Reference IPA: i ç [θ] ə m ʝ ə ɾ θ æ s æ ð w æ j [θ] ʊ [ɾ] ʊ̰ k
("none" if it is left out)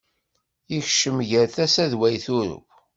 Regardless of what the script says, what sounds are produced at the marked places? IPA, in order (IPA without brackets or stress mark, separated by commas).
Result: ʃ, θ, ɾ